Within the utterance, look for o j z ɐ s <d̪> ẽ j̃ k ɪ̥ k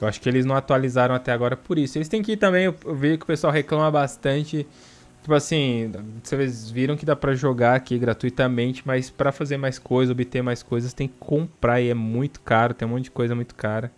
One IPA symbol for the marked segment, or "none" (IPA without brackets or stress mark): t̪